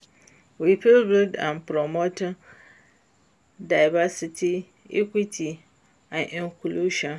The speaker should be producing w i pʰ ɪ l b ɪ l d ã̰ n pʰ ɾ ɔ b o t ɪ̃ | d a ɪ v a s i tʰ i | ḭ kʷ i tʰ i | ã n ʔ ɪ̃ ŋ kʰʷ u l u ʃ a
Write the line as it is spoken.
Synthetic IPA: w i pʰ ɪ l b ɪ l d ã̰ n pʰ ɾ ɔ m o t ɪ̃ | d a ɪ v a s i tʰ i | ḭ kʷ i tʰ i | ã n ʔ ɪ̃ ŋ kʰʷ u l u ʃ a